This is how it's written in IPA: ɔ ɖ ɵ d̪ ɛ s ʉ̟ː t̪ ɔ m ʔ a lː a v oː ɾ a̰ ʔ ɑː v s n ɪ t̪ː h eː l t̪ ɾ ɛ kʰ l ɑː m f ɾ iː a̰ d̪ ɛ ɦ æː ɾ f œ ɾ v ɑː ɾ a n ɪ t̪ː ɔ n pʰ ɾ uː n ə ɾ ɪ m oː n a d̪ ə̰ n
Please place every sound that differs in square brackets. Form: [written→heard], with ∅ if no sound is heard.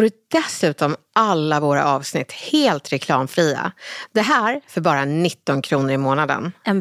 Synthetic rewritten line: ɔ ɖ ɵ d̪ ɛ s ʉ̟ː t̪ ɔ m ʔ a lː a v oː ɾ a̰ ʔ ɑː v s n ɪ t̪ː h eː l t̪ ɾ ɛ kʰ l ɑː m f ɾ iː a̰ d̪ ɛ ɦ æː ɾ f œ ɾ [v→b] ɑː ɾ a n ɪ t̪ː ɔ n [pʰ→kʰ] ɾ uː n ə ɾ ɪ m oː n a d̪ ə̰ n